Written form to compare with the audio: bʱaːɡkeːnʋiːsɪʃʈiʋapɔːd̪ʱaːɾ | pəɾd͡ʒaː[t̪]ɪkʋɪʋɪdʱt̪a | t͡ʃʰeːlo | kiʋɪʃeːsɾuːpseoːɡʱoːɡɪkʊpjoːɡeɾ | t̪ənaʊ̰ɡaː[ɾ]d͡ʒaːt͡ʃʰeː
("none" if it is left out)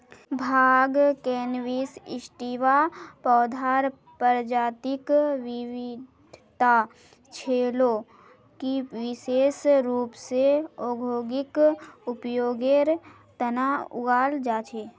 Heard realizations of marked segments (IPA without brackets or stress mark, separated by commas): t̪, l